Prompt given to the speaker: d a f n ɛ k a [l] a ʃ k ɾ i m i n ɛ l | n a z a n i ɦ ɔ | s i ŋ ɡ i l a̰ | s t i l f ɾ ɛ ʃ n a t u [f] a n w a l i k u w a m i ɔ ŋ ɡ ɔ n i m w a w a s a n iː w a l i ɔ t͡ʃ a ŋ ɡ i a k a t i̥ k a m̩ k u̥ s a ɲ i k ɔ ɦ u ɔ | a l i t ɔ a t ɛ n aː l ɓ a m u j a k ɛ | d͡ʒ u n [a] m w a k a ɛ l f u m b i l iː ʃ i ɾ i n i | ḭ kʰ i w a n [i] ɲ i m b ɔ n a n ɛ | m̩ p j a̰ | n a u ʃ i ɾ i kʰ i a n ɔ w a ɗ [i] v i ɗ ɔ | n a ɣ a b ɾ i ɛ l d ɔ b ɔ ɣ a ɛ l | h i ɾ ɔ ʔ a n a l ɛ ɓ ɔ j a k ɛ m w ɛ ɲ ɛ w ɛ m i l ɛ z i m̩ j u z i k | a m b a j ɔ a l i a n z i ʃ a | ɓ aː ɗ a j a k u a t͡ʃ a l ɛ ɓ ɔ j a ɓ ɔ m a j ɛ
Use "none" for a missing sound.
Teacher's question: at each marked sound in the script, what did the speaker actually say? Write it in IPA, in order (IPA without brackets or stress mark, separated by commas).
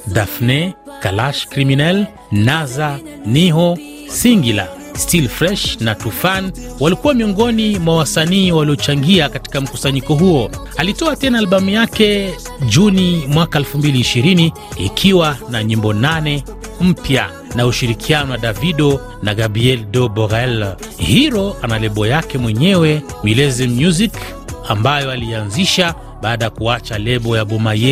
l, f, i, a, a